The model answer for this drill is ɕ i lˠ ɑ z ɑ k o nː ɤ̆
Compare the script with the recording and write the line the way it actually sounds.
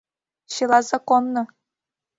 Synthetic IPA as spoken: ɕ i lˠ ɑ z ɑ k o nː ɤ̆